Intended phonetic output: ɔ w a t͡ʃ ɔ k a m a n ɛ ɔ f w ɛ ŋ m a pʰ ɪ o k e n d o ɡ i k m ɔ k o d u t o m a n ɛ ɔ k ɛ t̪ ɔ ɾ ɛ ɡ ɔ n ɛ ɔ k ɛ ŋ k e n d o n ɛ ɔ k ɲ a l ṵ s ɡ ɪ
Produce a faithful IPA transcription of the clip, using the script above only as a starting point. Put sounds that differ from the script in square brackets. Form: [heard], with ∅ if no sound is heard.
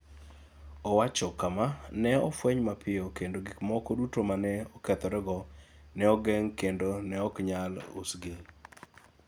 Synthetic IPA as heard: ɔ w a t͡ʃ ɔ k a m a n ɛ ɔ f w ɛ [ɲ] m a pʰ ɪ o k e n d o ɡ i k m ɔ k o d u t o m a n ɛ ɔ k ɛ t̪ ɔ ɾ ɛ ɡ ɔ n ɛ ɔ [ɡ] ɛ ŋ k e n d o n ɛ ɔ k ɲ a l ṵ s ɡ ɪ

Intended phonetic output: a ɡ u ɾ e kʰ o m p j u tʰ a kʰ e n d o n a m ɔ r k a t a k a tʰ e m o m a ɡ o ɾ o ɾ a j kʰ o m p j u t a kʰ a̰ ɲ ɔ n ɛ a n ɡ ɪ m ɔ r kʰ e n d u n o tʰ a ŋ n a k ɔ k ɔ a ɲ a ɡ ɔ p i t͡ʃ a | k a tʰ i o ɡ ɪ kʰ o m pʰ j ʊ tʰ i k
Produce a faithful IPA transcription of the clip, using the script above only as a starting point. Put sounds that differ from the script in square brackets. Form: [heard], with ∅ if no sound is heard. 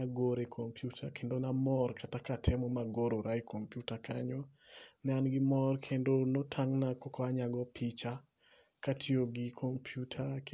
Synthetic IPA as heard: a ɡ [o] ɾ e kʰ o m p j u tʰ a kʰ e n d o n a m ɔ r k a t a k a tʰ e m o m a ɡ o ɾ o ɾ a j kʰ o m p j u t a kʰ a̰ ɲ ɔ n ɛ a n ɡ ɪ m ɔ r kʰ e n d [o] n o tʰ a ŋ n a k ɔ k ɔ a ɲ a ɡ ɔ p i t͡ʃ a | k a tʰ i o ɡ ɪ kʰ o m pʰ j [u] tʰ [a] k

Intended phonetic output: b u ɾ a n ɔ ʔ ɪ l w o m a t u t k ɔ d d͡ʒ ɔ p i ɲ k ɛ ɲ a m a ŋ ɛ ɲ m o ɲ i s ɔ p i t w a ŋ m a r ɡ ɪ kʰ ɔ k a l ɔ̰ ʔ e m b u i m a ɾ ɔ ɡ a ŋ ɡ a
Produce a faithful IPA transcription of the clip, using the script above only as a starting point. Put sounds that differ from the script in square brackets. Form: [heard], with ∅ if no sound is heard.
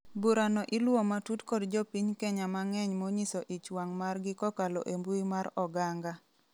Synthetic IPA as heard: b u ɾ a n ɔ ʔ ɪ l w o m a t u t k ɔ d d͡ʒ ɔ p i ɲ k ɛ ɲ a m a ŋ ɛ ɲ m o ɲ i s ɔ [ʔ] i [t͡ʃ] w a ŋ m a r ɡ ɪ [k] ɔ k a l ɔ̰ ʔ e m b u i m a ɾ ɔ ɡ a ŋ ɡ a

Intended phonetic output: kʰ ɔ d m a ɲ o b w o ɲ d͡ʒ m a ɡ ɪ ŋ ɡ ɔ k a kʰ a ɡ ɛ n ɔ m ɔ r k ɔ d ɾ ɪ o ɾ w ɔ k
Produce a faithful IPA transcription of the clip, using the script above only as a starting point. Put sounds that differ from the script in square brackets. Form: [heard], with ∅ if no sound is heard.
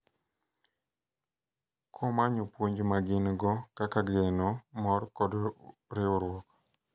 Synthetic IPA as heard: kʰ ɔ [∅] m a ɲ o [p] w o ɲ d͡ʒ m a ɡ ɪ [n] ɡ ɔ k a [k] a ɡ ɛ n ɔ m ɔ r k ɔ d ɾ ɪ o ɾ w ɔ k

